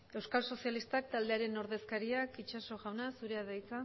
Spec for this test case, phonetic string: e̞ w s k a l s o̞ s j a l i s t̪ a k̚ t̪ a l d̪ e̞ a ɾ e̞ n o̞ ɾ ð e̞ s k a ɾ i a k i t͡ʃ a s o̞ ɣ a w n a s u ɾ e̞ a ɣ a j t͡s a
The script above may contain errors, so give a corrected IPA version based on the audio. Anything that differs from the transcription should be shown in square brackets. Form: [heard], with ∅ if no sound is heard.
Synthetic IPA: e̞ w s k a l s o̞ s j a l i s t̪ a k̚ t̪ a l d̪ e̞ a ɾ e̞ n o̞ ɾ ð e̞ s k a ɾ i a k i t͡ʃ a s o̞ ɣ a w n a s u ɾ e̞ a [ð] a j t͡s a